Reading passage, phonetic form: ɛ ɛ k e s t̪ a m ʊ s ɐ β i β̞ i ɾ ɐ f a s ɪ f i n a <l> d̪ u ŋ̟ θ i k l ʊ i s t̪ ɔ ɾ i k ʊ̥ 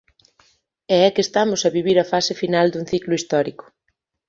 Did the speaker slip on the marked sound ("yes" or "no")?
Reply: no